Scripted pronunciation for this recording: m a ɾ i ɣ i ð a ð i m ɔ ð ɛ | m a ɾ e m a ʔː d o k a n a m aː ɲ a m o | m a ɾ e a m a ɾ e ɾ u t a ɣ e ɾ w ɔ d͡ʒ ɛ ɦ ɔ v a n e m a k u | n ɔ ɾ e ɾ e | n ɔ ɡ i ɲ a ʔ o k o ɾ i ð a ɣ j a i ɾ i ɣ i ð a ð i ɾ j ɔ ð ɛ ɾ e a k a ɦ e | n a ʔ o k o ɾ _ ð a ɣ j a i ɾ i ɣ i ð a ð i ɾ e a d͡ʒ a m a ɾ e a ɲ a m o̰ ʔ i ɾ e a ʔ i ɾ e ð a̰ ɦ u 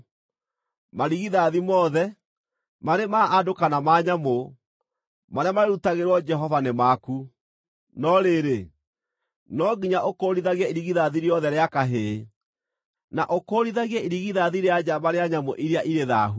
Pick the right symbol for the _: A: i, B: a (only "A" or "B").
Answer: A